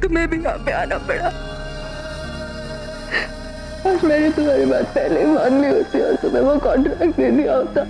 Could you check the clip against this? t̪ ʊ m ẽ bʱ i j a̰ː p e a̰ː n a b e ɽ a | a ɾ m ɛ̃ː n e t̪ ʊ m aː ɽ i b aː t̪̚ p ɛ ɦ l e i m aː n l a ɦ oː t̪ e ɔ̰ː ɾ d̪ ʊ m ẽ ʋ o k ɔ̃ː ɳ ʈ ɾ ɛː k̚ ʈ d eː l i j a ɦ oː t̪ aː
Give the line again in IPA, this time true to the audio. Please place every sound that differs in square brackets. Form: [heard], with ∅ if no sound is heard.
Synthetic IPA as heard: t̪ ʊ m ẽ bʱ i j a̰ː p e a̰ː n a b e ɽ a | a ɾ m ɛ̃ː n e t̪ ʊ m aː [ɾ] i b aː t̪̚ p ɛ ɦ l e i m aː n l [i] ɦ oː t̪ [i] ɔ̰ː ɾ [t̪] ʊ m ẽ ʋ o k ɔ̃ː ɳ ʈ ɾ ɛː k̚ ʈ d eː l i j a ɦ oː t̪ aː

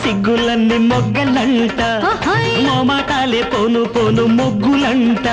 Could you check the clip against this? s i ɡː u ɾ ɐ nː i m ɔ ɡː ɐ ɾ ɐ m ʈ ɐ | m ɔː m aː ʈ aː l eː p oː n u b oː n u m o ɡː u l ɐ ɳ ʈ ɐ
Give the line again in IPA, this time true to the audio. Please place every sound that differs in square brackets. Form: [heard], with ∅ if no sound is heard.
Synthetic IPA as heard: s i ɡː u [l] ɐ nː i m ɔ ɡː ɐ [l] ɐ [ɳ] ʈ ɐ | m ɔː m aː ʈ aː l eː p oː n u [p] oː n u m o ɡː u l ɐ ɳ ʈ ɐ

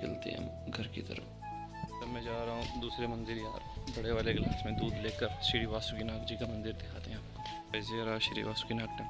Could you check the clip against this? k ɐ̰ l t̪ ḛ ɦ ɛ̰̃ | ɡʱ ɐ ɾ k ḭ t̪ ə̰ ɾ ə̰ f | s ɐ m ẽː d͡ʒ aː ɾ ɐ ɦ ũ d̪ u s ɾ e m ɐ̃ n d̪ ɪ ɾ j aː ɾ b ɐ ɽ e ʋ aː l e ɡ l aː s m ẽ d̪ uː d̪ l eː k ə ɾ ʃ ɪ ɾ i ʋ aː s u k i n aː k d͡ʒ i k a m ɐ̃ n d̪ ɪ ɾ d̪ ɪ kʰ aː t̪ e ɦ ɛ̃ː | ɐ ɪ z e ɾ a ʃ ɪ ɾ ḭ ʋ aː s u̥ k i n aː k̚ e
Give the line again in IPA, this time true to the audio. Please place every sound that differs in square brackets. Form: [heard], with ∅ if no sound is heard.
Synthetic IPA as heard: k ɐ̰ l t̪ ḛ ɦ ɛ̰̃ | ɡʱ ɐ ɾ k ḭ t̪ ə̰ ɾ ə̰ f | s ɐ m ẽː d͡ʒ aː ɾ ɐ ɦ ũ d̪ [uː] s ɾ e m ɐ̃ n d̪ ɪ ɾ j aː ɾ b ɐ ɽ e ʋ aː l e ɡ l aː s m ẽ d̪ uː d̪ l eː k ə ɾ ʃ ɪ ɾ i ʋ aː s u k i n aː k d͡ʒ i k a m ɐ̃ n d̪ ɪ ɾ d̪ ɪ kʰ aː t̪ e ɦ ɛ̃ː | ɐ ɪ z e ɾ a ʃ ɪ ɾ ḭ ʋ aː s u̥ k i n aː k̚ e

